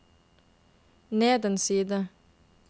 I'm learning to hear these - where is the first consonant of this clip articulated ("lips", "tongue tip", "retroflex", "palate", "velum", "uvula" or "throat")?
tongue tip